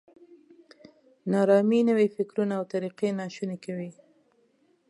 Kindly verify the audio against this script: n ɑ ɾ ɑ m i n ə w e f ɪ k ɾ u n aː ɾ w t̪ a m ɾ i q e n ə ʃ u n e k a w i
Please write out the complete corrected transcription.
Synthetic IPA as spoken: n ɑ ɾ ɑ m i n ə w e f ɪ k ɾ u n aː w t̪ a ɾ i q e n ɑ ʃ u n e k a w i